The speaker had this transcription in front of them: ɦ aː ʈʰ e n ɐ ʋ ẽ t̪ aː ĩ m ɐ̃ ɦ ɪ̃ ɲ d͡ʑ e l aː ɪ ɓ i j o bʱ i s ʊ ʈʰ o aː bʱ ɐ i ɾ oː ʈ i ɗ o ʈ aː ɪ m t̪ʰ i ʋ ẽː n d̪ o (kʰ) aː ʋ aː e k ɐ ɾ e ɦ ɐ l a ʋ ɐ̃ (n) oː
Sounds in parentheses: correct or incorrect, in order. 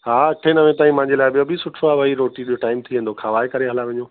correct, incorrect

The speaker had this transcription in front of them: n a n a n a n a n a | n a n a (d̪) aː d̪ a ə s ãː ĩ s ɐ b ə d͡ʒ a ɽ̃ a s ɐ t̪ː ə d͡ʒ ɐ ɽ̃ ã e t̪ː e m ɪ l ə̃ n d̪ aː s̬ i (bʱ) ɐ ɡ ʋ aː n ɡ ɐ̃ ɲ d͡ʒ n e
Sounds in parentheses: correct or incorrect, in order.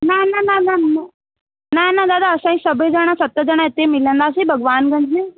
correct, correct

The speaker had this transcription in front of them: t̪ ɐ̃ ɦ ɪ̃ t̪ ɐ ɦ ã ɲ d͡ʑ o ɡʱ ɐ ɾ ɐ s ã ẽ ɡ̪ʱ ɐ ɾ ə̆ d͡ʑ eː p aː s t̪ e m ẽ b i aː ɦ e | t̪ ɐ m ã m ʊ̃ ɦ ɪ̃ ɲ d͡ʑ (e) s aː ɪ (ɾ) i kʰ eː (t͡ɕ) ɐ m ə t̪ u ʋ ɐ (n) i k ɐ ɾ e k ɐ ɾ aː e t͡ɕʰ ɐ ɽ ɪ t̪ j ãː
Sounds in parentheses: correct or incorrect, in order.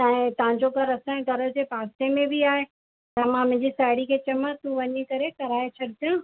incorrect, incorrect, correct, incorrect

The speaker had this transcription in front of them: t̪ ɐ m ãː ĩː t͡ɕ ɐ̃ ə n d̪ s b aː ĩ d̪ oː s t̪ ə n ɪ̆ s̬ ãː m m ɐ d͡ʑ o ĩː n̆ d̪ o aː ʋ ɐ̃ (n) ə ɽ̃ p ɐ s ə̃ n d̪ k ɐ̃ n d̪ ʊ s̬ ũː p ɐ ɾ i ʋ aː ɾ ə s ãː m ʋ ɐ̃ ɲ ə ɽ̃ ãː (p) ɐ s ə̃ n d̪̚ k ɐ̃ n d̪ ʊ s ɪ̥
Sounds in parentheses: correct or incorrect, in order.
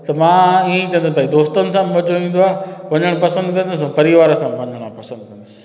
incorrect, correct

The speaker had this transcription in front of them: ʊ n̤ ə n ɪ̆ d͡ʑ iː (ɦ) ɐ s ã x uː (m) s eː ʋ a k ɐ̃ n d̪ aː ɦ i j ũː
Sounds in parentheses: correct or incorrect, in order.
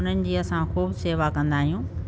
incorrect, incorrect

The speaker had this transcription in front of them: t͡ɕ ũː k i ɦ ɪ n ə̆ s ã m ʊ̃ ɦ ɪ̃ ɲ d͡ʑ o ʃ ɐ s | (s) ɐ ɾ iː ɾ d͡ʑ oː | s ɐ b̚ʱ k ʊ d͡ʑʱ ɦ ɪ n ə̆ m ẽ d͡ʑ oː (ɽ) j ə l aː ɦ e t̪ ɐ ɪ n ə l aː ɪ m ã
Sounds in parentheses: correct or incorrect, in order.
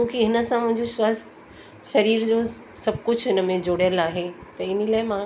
incorrect, correct

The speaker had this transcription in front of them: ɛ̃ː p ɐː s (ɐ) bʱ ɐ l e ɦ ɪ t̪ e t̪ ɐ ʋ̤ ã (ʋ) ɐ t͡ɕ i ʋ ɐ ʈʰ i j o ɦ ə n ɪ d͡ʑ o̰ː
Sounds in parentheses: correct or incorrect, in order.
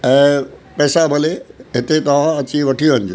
incorrect, incorrect

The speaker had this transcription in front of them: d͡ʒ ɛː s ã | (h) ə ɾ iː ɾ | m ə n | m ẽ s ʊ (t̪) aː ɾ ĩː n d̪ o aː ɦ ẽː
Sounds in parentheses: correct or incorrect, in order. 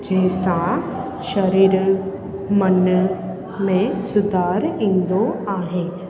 incorrect, incorrect

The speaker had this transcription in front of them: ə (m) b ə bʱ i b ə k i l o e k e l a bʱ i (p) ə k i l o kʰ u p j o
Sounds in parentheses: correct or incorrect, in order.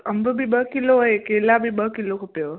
correct, incorrect

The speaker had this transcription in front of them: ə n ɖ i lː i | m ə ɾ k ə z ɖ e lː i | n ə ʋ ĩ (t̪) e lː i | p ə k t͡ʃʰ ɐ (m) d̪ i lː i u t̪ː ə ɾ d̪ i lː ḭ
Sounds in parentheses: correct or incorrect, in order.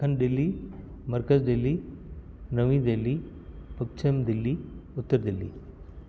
incorrect, correct

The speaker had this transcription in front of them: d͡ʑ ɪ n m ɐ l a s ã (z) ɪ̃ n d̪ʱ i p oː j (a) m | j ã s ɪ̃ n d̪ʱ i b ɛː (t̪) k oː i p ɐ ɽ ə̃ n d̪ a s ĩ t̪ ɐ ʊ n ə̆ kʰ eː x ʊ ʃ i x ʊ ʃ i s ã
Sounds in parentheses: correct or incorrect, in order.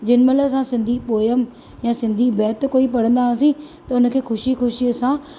incorrect, incorrect, correct

